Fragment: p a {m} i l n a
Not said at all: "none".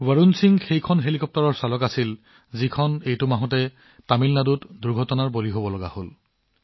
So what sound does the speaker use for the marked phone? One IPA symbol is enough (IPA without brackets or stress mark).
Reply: m